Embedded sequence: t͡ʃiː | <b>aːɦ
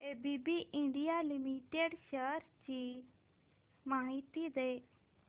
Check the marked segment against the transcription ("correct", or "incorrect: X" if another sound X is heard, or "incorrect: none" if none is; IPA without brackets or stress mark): incorrect: m